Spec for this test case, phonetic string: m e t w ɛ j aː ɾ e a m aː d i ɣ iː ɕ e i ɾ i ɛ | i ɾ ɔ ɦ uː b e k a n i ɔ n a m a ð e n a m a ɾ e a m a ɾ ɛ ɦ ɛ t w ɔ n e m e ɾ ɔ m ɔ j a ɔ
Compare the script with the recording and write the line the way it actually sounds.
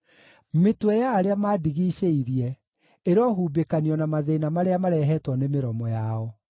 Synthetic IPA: m e t w ɛ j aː ɾ e a m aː d i ɣ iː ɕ e i ɾ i ɛ | e ɾ ɔ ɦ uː b e k a n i ɔ n a m a ð e n a m a ɾ e a m a ɾ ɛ ɦ ɛ t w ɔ n e m e ɾ ɔ m ɔ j a ɔ